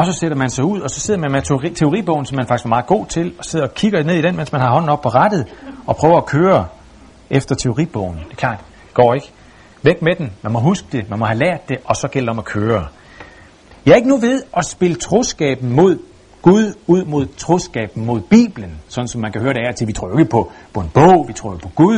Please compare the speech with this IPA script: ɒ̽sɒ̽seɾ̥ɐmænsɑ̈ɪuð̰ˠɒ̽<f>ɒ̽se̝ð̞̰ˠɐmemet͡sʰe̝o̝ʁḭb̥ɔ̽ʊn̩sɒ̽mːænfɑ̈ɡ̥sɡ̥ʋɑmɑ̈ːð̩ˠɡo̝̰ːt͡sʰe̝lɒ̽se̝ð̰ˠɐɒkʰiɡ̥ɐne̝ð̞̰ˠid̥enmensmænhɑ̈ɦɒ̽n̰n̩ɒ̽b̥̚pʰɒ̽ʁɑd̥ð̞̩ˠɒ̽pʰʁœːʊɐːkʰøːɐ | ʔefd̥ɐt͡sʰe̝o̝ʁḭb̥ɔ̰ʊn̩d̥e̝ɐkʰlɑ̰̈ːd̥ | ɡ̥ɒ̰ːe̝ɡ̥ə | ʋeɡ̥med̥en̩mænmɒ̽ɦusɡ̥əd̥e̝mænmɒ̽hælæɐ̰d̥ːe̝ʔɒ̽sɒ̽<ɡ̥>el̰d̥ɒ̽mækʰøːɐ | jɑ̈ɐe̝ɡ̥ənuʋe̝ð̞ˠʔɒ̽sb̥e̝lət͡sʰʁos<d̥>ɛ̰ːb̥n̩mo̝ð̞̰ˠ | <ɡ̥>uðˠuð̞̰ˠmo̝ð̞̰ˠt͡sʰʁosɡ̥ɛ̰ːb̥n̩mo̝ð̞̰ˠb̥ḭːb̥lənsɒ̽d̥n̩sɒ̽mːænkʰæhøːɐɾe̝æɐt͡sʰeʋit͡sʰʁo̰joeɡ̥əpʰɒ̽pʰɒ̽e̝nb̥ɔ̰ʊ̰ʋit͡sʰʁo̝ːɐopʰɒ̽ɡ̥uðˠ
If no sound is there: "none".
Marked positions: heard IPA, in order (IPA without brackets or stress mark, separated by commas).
s, ɡ̥, ɡ̥, ɡ̥